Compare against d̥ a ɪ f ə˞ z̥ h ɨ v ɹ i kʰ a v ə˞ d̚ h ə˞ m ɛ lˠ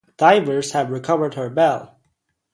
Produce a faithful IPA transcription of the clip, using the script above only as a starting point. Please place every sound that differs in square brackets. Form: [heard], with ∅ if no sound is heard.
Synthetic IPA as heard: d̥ a ɪ [v] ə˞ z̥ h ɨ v ɹ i kʰ [ʌ] v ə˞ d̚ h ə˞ [b] ɛ lˠ